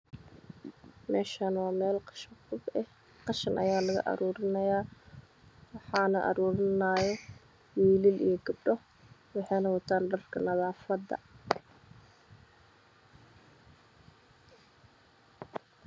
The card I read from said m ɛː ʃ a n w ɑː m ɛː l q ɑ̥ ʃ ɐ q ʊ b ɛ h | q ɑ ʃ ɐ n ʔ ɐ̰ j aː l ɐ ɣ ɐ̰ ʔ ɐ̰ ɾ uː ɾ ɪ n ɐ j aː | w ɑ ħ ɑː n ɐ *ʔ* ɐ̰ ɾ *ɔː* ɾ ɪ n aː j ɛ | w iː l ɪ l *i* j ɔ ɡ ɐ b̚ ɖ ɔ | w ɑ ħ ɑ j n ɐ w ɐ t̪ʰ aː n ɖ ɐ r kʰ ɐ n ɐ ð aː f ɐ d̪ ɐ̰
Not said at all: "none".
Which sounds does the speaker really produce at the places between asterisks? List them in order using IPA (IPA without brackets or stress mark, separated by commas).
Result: ʔ, uː, i